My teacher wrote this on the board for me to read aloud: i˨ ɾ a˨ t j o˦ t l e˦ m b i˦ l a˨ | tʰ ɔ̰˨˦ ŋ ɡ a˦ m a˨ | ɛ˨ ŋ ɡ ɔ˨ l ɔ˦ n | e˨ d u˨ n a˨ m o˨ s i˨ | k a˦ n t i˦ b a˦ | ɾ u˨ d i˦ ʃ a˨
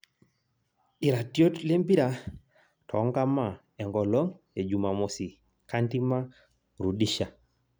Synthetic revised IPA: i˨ ɾ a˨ t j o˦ t l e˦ m b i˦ ɾ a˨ | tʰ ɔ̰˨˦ ŋ ɡ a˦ m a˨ | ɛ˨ ŋ ɡ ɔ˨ l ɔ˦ ŋ | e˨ d͡ʒ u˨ m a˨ m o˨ s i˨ | k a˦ n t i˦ m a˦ | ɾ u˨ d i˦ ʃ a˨